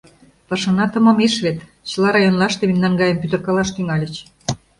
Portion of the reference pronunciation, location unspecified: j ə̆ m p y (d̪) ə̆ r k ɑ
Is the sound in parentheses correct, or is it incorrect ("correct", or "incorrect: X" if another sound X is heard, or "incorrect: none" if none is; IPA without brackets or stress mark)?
incorrect: t̪